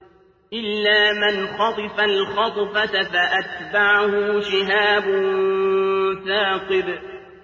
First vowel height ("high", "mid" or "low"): high